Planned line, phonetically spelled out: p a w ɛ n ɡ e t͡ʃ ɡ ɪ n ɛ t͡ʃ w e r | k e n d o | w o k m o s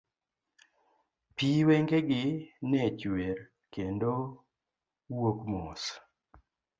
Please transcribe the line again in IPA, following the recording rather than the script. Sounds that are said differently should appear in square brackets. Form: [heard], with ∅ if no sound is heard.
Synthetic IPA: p [i] w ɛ [ŋ] ɡ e [∅] ɡ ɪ n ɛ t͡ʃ w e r | k e n d o | w o k m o s